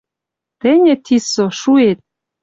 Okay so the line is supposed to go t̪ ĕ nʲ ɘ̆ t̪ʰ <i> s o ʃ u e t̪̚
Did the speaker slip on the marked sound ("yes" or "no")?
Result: no